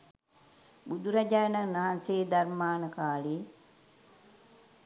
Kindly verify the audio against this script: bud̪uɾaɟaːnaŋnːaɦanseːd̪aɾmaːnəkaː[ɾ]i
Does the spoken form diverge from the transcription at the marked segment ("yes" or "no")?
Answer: yes